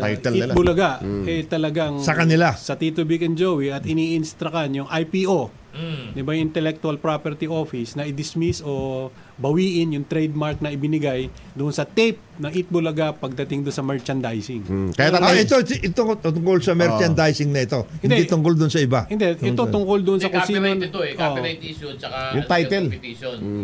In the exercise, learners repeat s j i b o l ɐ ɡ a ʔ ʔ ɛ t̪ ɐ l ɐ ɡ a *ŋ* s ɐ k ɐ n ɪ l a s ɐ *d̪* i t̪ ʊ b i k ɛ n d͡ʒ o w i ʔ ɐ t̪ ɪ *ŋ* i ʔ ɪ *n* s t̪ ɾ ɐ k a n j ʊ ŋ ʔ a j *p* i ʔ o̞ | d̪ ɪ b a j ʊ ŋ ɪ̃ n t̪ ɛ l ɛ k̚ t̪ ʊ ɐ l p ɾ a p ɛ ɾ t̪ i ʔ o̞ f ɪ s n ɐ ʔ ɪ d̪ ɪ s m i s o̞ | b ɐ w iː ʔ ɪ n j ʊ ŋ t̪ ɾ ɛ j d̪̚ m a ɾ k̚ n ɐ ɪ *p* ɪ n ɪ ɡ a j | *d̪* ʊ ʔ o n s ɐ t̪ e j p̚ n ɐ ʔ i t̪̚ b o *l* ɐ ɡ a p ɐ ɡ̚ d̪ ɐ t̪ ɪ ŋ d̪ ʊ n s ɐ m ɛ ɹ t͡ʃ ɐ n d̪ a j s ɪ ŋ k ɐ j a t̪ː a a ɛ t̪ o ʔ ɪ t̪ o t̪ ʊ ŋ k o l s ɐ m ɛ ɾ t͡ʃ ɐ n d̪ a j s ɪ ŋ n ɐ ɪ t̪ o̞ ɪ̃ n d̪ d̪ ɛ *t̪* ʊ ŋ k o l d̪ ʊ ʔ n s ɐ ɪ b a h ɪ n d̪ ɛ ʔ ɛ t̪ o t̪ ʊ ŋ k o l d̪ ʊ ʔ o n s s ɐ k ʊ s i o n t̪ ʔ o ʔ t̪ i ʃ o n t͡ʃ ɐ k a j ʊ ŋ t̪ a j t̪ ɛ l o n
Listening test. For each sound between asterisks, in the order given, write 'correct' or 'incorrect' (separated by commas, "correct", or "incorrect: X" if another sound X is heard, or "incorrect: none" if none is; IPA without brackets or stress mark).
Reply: correct, incorrect: t̪, incorrect: n, correct, correct, incorrect: b, correct, correct, correct